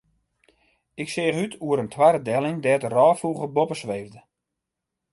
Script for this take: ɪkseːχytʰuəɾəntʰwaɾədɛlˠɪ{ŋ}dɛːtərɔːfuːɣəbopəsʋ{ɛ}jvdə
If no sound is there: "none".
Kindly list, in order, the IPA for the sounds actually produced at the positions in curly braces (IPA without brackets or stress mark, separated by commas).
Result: ŋ, e